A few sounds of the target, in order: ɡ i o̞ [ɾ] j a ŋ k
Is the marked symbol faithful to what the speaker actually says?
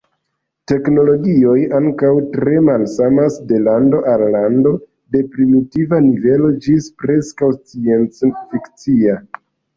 no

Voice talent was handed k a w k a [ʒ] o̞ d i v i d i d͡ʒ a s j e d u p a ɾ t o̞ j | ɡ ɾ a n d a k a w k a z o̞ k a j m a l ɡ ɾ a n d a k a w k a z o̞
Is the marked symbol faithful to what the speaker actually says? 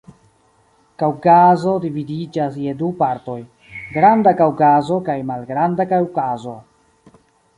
no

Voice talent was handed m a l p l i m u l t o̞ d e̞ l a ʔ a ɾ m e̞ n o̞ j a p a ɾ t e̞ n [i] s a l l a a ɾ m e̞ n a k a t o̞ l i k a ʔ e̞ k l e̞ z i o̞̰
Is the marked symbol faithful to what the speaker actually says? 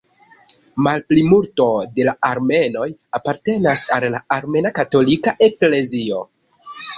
no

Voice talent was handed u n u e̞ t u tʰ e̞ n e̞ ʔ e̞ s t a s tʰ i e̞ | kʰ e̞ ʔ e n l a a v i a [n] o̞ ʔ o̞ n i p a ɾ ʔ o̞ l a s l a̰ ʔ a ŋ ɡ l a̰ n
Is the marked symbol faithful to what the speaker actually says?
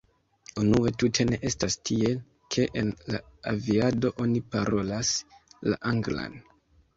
no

